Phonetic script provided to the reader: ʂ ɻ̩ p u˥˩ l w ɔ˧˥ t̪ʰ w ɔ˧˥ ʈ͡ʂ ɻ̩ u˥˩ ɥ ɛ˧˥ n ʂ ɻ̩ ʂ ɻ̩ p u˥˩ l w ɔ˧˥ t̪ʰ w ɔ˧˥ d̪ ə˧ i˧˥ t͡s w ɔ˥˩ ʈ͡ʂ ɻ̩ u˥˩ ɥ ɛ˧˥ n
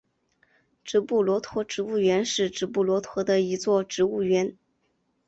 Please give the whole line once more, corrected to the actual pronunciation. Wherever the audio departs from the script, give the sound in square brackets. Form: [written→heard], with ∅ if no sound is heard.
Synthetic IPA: [ʂ→ʈ͡ʂ] ɻ̩ p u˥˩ l w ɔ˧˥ t̪ʰ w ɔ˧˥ ʈ͡ʂ ɻ̩ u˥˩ ɥ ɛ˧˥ n ʂ ɻ̩ [ʂ→ʈ͡ʂ] ɻ̩ p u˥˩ l w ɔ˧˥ t̪ʰ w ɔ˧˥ d̪ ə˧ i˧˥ t͡s w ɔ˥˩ ʈ͡ʂ ɻ̩ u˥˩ ɥ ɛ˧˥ n

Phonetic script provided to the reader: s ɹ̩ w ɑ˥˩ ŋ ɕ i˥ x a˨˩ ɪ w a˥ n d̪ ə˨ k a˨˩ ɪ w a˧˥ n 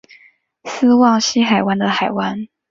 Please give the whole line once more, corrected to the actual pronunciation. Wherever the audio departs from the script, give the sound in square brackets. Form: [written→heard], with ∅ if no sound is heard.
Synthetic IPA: s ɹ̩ w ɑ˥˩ ŋ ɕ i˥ x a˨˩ ɪ w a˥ n d̪ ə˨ [k→x] a˨˩ ɪ w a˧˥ n

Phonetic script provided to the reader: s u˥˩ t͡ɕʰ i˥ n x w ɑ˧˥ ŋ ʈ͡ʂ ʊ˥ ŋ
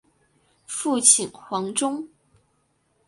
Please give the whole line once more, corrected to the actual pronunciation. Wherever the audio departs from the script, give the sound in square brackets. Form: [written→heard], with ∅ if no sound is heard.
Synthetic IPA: [s→f] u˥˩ t͡ɕʰ [i˥→i˨˩] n x w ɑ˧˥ ŋ ʈ͡ʂ ʊ˥ ŋ

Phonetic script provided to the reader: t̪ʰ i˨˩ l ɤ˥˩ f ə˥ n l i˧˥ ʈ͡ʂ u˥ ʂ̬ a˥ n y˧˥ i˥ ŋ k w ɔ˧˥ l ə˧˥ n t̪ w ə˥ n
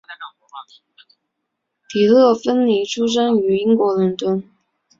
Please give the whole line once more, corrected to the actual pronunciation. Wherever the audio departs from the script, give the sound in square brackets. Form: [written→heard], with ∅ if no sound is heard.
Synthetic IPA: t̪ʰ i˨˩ l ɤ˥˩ f ə˥ n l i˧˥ [ʈ͡ʂ→ʈ͡ʂʰ] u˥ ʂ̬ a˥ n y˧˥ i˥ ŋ k w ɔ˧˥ l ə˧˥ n t̪ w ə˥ n

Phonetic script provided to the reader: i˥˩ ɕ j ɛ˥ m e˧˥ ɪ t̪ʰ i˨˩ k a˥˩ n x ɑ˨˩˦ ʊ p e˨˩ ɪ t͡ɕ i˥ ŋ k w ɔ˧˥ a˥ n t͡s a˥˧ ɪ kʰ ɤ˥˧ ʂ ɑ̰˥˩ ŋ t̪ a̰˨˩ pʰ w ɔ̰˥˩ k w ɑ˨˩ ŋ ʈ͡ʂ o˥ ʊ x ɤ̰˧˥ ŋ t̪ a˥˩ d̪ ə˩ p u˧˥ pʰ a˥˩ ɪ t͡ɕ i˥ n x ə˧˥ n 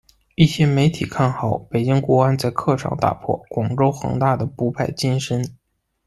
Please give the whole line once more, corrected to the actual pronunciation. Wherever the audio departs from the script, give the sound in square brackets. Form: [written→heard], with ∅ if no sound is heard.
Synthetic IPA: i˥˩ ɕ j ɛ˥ m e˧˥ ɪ t̪ʰ i˨˩ [k→kʰ] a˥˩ n x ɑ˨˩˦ ʊ p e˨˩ ɪ t͡ɕ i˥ ŋ k w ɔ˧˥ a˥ n t͡s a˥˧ ɪ kʰ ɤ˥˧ ʂ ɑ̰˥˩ ŋ t̪ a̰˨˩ pʰ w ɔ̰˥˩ k w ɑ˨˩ ŋ ʈ͡ʂ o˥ ʊ x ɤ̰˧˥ ŋ t̪ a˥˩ d̪ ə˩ p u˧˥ pʰ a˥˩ ɪ t͡ɕ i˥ n [x→ʂ] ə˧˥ n

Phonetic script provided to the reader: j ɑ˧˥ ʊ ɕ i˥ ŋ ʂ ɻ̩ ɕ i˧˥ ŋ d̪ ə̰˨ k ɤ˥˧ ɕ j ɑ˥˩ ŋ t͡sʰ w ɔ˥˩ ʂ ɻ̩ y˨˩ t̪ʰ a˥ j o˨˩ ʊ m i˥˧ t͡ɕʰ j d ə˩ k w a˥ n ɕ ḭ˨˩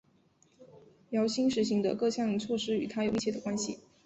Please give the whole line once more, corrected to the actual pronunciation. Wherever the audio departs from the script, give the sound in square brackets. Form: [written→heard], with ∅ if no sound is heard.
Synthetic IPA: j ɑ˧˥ ʊ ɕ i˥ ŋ ʂ ɻ̩ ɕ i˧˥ ŋ d̪ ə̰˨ k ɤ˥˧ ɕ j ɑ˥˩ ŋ t͡sʰ w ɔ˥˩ ʂ ɻ̩ y˨˩ t̪ʰ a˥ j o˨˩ ʊ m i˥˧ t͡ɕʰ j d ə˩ k w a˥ n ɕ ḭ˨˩

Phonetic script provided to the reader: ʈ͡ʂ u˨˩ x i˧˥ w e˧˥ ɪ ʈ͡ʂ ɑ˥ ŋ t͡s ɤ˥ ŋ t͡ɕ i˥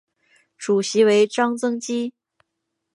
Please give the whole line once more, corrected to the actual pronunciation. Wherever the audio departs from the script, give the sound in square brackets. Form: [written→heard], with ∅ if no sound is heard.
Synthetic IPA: ʈ͡ʂ u˨˩ [x→ɕ] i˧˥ w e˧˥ ɪ ʈ͡ʂ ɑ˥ ŋ t͡s ɤ˥ ŋ t͡ɕ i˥

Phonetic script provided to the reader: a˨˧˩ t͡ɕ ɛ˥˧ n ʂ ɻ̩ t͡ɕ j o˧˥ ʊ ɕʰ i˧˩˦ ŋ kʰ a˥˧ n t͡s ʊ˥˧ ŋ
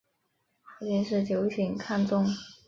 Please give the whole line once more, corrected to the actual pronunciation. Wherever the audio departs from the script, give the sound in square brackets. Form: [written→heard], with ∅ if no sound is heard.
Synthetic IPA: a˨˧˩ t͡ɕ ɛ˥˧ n ʂ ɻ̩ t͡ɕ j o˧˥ ʊ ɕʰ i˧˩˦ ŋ kʰ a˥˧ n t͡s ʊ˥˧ ŋ

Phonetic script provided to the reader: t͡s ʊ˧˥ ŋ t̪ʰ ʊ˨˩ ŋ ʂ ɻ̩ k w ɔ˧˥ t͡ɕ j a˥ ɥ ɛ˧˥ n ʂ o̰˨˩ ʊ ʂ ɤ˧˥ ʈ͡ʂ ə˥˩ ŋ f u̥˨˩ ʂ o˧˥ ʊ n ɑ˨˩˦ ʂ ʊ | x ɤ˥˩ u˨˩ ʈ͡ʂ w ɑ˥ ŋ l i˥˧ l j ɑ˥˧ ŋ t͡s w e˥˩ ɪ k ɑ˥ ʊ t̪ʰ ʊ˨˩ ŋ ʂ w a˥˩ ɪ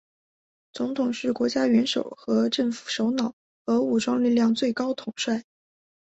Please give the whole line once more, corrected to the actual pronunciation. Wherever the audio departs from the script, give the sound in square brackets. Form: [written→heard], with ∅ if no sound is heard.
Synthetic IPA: t͡s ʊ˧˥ ŋ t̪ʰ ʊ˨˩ ŋ ʂ ɻ̩ k w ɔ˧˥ t͡ɕ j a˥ ɥ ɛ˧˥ n ʂ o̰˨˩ ʊ [ʂ→x] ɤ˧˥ ʈ͡ʂ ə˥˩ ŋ f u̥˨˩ ʂ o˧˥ ʊ n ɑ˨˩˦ [ʂ→∅] ʊ | x [ɤ˥˩→ɤ˧˥] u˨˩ ʈ͡ʂ w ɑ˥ ŋ l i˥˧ l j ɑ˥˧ ŋ t͡s w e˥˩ ɪ k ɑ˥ ʊ t̪ʰ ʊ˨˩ ŋ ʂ w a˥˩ ɪ

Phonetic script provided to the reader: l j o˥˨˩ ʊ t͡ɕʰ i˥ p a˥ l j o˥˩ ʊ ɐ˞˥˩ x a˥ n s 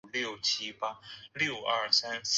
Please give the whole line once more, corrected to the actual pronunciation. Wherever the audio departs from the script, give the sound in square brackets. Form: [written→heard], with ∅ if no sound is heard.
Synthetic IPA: l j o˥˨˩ ʊ t͡ɕʰ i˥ p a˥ l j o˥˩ ʊ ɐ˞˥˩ [x→s] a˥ n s

